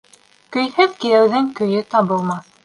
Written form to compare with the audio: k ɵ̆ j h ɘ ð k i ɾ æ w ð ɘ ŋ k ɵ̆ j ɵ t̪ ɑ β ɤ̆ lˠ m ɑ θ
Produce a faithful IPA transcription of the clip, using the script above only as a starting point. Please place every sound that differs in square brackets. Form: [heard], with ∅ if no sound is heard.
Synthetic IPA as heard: k ɵ̆ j h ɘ ð k i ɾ æ w ð ɘ ŋ k ɵ̆ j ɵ t̪ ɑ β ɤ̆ lˠ m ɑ θ